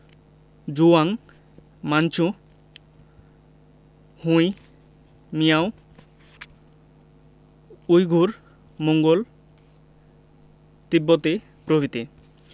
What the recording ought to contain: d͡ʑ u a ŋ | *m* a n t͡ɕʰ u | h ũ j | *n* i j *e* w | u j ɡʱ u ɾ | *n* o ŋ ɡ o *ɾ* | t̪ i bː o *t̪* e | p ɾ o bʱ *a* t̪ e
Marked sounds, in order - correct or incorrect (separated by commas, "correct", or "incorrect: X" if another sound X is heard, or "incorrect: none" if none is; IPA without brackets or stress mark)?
correct, incorrect: m, incorrect: a, incorrect: m, incorrect: l, correct, incorrect: i